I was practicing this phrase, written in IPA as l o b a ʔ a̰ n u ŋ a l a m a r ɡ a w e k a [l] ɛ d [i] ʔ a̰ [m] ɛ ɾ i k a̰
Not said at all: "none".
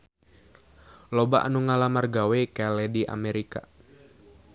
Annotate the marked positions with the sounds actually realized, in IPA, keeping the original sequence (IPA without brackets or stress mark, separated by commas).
l, i, m